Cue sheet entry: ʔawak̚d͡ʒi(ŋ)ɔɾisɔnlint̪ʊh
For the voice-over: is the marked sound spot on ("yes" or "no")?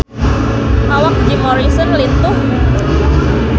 no